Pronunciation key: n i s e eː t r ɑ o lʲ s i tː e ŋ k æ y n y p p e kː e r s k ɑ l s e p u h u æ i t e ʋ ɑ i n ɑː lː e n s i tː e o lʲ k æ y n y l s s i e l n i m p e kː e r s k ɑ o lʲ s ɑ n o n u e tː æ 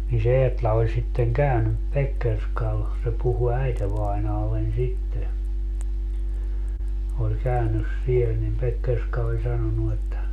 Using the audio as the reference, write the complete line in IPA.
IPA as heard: n i s e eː t l ɑ o lʲ s i tː e ŋ k æ y n y p p e kː e r s k ɑ l s e p u h u æ i t e ʋ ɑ i n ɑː lː e n s i tː e o lʲ k æ y n y s s i e l n i m p e kː e r s k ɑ o lʲ s ɑ n o n u e tː æ